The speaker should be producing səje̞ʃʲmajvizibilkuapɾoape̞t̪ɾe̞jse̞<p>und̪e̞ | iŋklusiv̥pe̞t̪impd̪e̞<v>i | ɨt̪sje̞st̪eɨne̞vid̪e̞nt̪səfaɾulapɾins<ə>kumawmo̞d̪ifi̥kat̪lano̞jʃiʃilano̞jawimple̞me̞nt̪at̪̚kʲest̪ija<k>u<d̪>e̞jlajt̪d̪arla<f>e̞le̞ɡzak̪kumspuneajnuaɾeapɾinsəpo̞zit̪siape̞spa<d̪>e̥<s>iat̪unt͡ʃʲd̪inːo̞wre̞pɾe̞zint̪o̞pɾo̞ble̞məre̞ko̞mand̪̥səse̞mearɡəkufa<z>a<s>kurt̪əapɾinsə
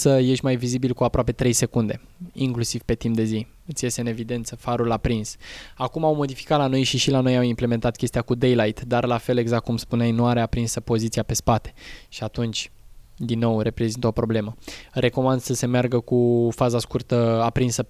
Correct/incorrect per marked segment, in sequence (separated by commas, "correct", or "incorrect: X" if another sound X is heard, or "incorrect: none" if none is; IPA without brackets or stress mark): incorrect: k, incorrect: z, incorrect: a, correct, correct, correct, incorrect: t̪, incorrect: ʃ, correct, correct